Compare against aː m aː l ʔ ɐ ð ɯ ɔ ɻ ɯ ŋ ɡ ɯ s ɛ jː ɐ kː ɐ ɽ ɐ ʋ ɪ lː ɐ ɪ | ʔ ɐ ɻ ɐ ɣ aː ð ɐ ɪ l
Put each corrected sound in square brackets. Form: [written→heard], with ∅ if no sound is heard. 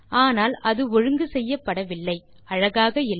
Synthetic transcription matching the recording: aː [m→n] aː l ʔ ɐ ð ɯ ɔ ɻ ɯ ŋ ɡ ɯ s ɛ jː ɐ [kː→pː] ɐ ɽ ɐ ʋ ɪ lː ɐ ɪ | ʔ ɐ ɻ ɐ ɣ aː [ð→ɣ] ɐ ɪ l